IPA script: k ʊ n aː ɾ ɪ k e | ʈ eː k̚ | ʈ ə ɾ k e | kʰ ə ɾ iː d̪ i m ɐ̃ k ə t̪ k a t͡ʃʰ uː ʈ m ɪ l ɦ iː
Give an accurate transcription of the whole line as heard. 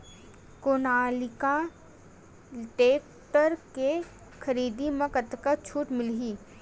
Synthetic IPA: k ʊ n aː l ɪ k a | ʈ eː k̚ | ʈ ə ɾ k e | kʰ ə ɾ iː d̪ i m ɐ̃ k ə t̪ k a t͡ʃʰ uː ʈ m ɪ l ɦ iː

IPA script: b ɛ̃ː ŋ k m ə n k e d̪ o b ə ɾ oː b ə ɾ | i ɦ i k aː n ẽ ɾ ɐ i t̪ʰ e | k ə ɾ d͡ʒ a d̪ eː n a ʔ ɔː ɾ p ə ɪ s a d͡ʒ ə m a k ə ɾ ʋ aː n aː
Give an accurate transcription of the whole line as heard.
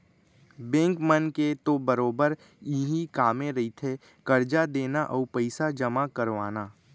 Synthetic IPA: b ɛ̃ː ŋ k m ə n k e t̪ o b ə ɾ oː b ə ɾ | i ɦ i k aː m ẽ ɾ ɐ i t̪ʰ e | k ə ɾ d͡ʒ a d̪ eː n a ʔ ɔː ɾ p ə ɪ s a d͡ʒ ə m a k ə ɾ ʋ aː n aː

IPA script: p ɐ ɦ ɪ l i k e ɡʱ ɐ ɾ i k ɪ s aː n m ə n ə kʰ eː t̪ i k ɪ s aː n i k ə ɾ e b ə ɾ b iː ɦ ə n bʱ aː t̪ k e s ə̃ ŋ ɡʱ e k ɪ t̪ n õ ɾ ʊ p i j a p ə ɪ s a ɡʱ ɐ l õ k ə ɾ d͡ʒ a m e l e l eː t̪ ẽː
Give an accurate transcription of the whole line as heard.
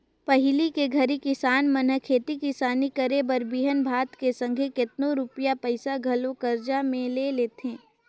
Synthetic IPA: p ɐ ɦ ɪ l i k e ɡʱ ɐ ɾ i k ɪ s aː n m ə n ə kʰ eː t̪ i k ɪ s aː n i k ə ɾ e b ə ɾ b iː ɦ ə n bʱ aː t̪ k e s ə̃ ŋ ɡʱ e k ɪ t̪ n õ ɾ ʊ p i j a p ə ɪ s a ɡʱ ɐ l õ k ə ɾ d͡ʒ a m ẽ l e l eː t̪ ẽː

